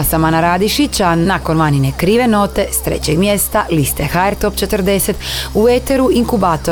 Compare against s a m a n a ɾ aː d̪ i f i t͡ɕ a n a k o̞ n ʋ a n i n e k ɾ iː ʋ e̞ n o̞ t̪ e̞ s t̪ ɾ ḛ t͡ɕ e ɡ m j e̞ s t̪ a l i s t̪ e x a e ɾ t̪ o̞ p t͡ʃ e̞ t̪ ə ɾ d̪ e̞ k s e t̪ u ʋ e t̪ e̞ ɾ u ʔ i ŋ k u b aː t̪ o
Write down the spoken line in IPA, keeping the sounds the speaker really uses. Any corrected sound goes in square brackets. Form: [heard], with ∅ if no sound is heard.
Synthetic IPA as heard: s a m a n a ɾ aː d̪ i [ʃ] i t͡ɕ a n a k o̞ n ʋ a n i n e k ɾ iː ʋ e̞ n o̞ t̪ e̞ s t̪ ɾ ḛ t͡ɕ e ɡ m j e̞ s t̪ a l i s t̪ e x a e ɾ t̪ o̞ p t͡ʃ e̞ t̪ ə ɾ d̪ e̞ [∅] s e t̪ u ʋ e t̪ e̞ ɾ u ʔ i ŋ k u b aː t̪ o